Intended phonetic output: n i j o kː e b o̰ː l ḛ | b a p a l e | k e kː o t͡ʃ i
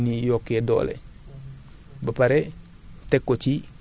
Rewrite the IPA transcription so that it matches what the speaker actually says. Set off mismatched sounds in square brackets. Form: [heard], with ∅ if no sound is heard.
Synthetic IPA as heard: n i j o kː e [d] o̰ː l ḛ | b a p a [ɾ] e | [t] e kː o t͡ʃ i

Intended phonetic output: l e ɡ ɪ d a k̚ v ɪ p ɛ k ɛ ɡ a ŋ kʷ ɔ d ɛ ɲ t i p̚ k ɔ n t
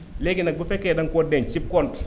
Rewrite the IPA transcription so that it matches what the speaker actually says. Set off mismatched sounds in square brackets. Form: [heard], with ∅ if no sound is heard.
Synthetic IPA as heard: l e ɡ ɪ [n] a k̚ [b] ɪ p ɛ k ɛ [d] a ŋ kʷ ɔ d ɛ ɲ [t͡ʃ] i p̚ k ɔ n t

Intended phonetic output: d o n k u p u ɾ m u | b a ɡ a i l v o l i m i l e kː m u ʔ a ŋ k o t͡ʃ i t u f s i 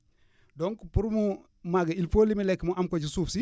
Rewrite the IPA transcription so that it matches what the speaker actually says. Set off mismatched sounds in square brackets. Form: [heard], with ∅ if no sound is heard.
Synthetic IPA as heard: d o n k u p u ɾ m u | [m] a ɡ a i l [f] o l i m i l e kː m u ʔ a [m] k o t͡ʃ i [s] u f s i

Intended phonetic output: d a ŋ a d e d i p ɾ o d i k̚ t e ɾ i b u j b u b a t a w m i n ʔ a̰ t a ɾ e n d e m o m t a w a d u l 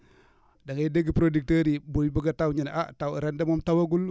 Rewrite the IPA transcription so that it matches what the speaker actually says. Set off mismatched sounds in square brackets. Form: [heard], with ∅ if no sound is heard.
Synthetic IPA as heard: d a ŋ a d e [ɡ] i p ɾ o d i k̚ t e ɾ i b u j b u [ɡ] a t a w [ɲ] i n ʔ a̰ t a ɾ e n d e m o m t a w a [ɡ] u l

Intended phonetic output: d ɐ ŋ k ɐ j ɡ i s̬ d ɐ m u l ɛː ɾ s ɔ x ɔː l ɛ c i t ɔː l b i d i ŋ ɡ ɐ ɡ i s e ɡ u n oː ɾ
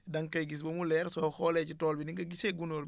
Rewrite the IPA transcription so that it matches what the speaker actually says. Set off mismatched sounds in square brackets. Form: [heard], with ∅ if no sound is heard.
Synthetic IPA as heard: d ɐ ŋ k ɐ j ɡ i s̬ [b] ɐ m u l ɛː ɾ s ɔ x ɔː l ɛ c i t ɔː l b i [n] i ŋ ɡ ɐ ɡ i s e ɡ u n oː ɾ

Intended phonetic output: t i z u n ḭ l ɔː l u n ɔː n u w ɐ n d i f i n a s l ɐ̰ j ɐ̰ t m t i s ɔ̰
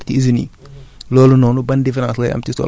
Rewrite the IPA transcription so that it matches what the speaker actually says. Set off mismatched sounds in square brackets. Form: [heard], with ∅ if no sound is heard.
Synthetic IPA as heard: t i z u n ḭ l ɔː l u n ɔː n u [b] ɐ n d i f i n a s l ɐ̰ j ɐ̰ [∅] m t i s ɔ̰

